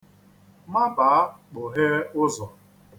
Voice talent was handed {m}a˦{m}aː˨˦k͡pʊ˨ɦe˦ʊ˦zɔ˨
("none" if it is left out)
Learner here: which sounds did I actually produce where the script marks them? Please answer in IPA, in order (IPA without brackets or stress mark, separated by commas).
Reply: m, b